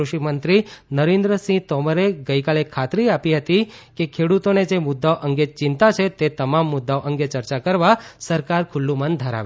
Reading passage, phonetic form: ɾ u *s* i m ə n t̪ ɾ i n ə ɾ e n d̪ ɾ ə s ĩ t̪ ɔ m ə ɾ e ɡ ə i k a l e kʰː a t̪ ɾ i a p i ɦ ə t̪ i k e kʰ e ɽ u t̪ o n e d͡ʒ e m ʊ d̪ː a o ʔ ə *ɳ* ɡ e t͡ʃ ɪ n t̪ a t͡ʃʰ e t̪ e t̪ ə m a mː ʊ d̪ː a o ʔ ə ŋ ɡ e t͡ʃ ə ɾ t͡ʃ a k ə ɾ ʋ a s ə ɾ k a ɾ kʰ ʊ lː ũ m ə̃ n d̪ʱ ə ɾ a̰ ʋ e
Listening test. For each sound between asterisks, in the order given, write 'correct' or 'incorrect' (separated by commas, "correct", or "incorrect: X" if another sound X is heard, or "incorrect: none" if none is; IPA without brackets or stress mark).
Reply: incorrect: ʃ, incorrect: ŋ